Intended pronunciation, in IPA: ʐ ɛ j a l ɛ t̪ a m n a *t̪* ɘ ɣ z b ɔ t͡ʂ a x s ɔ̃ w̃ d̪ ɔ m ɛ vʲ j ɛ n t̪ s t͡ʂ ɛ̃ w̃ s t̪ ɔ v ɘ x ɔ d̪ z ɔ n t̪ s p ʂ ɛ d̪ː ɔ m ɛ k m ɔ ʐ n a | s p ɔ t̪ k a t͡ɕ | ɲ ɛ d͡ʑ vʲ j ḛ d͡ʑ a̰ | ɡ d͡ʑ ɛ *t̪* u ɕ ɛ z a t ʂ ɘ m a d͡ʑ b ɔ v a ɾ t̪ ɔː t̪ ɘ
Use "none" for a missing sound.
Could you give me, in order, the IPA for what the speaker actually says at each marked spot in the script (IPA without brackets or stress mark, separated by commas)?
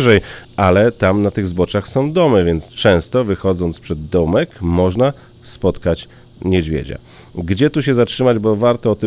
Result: t̪, t̪